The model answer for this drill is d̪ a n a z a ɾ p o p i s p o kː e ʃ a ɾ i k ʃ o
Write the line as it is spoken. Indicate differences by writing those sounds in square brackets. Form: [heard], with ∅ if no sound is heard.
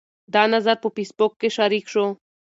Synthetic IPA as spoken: d̪ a n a z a ɾ p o p i s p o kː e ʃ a ɾ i k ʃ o